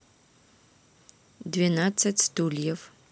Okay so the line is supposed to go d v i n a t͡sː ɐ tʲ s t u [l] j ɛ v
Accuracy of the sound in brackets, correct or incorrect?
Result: correct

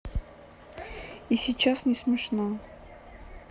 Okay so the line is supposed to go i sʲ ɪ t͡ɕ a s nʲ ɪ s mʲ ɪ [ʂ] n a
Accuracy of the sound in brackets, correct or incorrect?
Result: correct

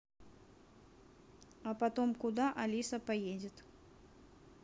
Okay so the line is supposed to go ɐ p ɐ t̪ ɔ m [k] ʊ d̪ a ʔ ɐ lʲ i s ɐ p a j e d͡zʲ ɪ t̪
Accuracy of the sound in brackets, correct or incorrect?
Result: correct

